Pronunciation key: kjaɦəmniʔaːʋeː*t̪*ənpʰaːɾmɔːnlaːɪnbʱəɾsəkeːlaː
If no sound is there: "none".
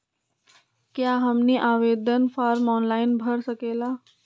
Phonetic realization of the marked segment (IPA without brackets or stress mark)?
d̪